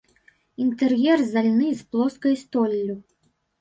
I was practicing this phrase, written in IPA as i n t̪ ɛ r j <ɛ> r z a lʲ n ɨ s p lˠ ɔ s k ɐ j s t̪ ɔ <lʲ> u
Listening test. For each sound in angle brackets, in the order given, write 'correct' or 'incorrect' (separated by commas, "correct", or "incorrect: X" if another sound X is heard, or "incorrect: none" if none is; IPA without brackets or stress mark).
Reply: correct, incorrect: lʲː